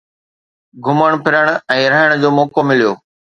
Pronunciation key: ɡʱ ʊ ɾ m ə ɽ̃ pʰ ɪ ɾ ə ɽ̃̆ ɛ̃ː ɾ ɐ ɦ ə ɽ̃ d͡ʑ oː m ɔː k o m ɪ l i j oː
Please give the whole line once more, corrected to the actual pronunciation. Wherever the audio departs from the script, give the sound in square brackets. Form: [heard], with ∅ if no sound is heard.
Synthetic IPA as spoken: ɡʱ ʊ [∅] m ə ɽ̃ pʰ ɪ ɾ ə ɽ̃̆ ɛ̃ː ɾ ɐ ɦ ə ɽ̃ d͡ʑ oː m ɔː k o m ɪ l i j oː